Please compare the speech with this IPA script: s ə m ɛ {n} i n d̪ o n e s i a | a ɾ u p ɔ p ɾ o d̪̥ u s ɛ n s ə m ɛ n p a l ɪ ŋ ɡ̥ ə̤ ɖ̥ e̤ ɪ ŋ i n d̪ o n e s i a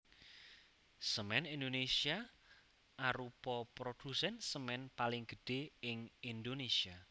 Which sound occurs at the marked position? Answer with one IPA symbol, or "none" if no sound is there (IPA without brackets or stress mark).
n